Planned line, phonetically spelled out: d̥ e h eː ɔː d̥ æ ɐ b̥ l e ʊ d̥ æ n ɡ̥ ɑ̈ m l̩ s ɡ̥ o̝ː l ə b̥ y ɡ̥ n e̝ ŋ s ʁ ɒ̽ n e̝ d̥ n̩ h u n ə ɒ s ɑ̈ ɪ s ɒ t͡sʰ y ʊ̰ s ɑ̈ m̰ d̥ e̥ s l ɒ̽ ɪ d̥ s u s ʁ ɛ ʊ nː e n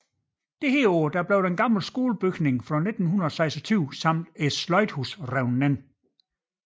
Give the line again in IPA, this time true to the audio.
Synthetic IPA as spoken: d̥ e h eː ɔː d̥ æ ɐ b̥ l e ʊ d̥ e n ɡ̥ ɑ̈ m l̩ s ɡ̥ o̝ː l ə b̥ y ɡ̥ n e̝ ŋ f ʁ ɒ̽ n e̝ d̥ n̩ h u n ɐ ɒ s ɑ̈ ɪ s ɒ t͡sʰ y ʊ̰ s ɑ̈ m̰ d̥ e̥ s l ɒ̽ ɪ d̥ h u s ʁ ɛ ʊ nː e n